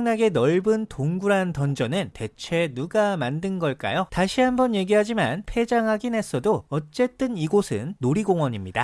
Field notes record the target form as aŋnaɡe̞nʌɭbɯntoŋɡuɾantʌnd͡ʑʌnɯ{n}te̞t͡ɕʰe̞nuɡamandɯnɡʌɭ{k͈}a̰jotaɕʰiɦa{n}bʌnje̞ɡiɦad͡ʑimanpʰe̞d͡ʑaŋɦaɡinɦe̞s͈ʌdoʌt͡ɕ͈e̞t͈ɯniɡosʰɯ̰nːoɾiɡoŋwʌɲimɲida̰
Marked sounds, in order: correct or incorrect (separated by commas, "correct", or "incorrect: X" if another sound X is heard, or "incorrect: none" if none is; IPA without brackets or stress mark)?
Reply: correct, correct, incorrect: m